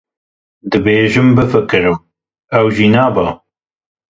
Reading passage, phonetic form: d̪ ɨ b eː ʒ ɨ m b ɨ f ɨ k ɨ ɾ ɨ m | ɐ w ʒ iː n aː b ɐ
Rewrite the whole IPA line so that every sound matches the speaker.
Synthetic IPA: d̪ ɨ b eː ʒ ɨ m b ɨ f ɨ k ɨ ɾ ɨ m | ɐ w ʒ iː n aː b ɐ